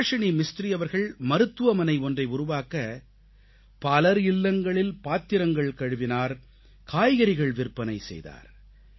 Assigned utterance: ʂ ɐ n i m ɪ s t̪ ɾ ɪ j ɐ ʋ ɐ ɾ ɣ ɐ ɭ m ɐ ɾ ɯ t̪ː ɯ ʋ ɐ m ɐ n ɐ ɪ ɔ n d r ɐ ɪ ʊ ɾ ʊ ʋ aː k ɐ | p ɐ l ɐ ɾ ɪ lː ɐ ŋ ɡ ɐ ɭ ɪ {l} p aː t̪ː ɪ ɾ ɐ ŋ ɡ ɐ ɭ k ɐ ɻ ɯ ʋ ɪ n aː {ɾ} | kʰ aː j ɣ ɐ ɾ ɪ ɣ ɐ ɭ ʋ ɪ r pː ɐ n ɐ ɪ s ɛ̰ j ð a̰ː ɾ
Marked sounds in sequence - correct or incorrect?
correct, correct

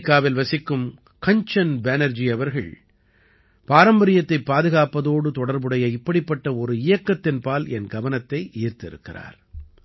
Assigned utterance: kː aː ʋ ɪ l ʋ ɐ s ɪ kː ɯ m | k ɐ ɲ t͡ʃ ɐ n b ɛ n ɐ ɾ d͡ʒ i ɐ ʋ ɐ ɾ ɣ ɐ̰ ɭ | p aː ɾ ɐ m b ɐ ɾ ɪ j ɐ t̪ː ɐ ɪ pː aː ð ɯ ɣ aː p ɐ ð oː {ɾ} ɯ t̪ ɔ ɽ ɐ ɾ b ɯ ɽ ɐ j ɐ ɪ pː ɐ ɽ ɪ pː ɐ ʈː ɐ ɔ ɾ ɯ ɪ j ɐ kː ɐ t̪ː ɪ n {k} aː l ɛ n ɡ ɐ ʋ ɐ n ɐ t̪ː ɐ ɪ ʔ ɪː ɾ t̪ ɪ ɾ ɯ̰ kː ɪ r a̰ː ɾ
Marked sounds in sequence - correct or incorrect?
incorrect, incorrect

